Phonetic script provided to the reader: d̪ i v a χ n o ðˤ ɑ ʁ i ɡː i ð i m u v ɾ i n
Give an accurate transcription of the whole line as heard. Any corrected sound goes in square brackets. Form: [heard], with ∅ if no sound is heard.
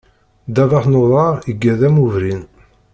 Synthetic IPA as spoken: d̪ [æ] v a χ n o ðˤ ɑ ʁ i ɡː [æ] ð [æ] m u v ɾ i n